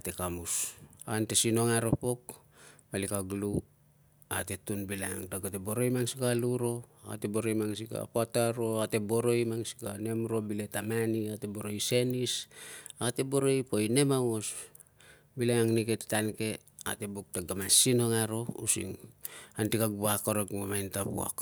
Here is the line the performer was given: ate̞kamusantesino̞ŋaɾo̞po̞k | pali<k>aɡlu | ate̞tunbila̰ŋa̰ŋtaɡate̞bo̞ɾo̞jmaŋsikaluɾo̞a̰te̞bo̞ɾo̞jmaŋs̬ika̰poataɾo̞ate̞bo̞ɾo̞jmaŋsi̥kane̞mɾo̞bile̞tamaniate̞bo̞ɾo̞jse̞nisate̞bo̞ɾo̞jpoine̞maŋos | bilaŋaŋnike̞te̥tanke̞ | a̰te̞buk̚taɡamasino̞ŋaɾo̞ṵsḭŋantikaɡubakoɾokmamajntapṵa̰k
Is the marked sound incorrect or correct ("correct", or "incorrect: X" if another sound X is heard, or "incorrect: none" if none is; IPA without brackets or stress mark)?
correct